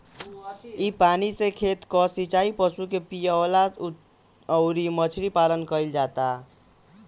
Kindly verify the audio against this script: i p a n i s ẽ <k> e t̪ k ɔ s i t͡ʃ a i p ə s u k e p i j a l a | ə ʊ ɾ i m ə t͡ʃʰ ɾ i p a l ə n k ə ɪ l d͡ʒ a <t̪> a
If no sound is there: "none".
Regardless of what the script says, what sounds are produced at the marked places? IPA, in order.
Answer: kʰ, t̪

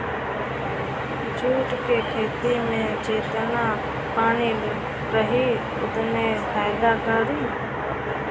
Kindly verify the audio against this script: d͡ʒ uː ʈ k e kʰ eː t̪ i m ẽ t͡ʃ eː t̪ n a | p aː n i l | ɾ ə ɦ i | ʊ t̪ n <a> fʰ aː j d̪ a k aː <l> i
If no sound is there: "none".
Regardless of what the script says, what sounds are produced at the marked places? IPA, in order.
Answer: e, ɾ

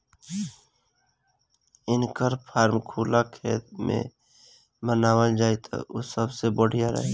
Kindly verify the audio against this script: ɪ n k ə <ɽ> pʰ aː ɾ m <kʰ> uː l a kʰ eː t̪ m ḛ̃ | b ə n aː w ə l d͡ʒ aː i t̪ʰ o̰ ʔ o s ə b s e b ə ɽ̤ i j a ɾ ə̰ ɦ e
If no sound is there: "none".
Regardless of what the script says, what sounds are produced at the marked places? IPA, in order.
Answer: ɾ, kʰ

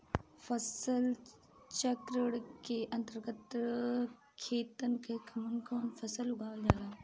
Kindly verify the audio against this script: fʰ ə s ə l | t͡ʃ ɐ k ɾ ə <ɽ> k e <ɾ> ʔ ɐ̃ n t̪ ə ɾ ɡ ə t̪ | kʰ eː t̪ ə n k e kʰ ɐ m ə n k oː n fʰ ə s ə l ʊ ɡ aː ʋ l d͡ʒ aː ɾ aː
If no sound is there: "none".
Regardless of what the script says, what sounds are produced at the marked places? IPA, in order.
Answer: ɽ, none

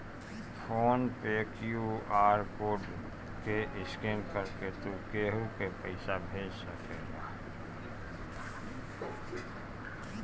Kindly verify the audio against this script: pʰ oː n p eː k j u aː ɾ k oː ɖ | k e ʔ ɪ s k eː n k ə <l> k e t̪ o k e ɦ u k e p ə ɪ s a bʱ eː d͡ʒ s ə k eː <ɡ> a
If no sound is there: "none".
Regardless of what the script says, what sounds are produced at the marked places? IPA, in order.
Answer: ɾ, ɡ

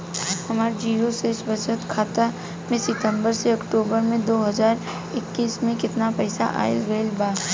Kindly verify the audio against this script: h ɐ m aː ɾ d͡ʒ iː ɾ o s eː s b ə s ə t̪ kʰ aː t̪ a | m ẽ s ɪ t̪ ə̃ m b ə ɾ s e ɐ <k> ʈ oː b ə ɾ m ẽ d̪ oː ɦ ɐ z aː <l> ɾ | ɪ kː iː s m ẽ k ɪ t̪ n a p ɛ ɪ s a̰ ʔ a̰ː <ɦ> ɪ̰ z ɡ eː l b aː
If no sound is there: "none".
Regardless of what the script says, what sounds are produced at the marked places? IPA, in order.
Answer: k, none, none

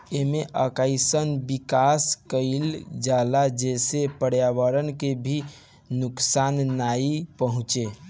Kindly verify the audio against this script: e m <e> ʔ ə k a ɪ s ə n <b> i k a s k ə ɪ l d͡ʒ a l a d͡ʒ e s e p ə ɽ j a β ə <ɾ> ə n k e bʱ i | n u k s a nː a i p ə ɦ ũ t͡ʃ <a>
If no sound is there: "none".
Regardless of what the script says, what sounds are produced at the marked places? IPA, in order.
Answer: e, b, ɾ, e

